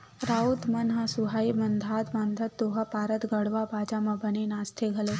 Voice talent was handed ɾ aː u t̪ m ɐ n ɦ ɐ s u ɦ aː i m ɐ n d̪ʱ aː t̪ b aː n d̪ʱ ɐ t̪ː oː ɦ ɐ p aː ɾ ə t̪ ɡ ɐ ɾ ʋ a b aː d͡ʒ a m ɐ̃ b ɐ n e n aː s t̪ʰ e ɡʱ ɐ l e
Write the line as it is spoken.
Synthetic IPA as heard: ɾ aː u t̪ m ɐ n ɦ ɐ s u ɦ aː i m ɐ n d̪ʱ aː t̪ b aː n d̪ʱ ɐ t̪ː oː ɦ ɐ p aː ɾ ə t̪ ɡ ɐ ɽ ʋ a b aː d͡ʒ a m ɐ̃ b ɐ n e n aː s t̪ʰ e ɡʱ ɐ l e